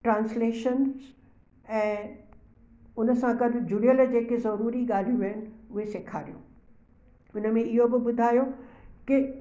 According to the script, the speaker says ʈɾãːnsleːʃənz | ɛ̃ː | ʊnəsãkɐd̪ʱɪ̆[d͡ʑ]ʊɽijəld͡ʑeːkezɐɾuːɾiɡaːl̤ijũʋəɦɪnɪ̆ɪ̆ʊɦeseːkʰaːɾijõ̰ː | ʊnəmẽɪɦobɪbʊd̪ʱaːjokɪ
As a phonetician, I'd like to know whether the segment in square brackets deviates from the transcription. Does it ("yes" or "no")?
no